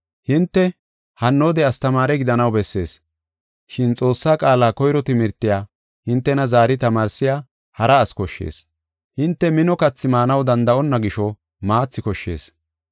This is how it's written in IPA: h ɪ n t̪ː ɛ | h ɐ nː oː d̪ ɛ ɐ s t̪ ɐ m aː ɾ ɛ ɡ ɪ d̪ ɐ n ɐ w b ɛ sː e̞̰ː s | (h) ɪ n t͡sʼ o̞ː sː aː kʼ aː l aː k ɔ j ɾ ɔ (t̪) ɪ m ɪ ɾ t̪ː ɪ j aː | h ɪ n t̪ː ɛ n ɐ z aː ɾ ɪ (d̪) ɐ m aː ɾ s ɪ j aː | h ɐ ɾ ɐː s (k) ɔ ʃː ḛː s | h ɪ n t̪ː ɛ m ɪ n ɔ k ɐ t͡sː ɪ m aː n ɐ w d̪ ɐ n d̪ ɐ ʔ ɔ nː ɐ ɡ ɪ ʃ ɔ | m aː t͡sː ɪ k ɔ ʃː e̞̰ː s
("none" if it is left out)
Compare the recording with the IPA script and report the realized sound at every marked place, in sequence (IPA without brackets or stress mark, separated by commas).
ʃ, t̪, t̪, k